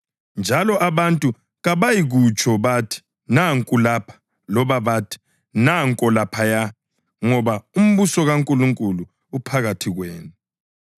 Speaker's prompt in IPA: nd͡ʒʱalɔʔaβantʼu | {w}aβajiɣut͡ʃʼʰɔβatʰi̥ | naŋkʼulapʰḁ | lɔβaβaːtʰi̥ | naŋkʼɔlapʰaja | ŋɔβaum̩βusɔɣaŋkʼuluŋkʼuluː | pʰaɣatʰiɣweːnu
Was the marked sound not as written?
yes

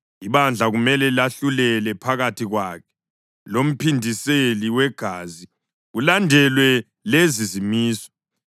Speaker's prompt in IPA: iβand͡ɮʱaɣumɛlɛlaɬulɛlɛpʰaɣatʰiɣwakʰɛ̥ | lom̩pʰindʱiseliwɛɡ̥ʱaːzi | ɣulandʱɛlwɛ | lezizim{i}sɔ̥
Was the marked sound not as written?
yes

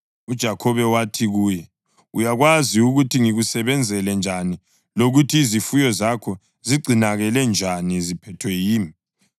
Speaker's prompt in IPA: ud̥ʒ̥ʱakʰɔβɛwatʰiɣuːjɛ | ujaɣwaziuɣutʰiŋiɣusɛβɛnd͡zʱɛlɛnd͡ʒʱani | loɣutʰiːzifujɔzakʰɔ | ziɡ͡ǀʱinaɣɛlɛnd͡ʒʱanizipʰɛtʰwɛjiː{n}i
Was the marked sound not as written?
yes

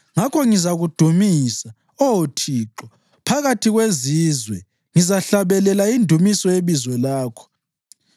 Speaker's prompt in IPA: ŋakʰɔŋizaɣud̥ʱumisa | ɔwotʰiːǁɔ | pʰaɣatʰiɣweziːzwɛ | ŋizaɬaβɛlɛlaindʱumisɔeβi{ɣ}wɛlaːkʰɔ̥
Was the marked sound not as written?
yes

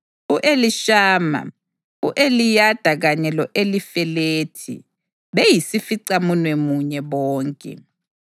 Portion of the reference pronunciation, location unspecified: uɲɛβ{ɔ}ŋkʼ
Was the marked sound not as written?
yes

